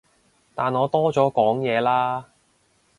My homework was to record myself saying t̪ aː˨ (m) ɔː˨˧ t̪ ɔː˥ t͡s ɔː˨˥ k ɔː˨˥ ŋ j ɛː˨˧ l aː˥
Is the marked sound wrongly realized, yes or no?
yes